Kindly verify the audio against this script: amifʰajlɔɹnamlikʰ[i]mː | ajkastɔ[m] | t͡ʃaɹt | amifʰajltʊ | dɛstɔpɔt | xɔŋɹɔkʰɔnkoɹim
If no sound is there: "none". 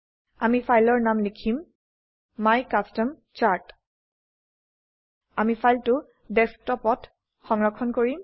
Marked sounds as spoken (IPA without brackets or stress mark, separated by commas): i, m